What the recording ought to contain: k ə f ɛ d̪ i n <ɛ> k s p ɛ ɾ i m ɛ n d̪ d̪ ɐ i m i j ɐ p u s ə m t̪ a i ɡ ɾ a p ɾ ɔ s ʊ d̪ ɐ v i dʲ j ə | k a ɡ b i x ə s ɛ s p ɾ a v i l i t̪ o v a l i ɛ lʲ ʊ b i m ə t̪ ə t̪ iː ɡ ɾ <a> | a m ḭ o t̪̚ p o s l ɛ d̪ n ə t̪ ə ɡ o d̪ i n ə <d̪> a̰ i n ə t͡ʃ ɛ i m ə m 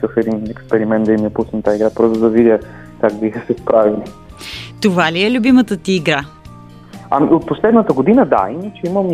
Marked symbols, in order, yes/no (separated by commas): yes, yes, yes